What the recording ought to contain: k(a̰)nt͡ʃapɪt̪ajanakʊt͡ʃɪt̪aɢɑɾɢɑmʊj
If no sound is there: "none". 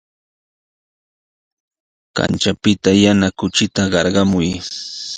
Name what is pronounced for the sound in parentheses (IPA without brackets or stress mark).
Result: a̰